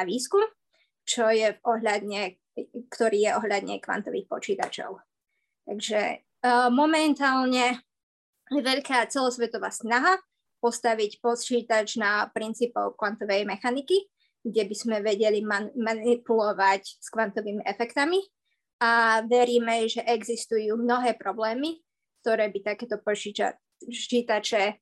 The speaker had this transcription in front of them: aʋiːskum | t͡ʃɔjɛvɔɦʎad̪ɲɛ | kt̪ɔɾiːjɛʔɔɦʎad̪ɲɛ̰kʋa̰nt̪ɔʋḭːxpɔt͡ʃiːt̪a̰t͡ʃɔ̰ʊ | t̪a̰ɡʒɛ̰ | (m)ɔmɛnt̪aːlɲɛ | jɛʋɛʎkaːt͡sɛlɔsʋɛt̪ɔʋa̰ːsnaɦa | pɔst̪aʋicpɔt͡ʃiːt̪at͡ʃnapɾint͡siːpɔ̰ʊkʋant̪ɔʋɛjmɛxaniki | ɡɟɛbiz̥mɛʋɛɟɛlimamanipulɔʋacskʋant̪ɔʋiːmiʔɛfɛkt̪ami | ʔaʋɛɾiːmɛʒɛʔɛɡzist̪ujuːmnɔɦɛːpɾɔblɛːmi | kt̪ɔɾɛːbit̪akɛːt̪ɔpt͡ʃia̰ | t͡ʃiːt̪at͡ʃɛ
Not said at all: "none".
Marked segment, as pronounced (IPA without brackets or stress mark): m